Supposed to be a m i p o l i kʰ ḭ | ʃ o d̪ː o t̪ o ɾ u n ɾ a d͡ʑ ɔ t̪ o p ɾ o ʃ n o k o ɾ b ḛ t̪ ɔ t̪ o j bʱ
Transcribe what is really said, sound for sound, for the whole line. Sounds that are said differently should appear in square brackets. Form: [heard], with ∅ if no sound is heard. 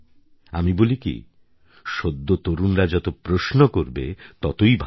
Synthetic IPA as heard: a m i [b] o l i [k] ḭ | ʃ o d̪ː o t̪ o ɾ u n ɾ a d͡ʑ ɔ t̪ o p ɾ o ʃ n o k o ɾ b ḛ t̪ ɔ t̪ o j bʱ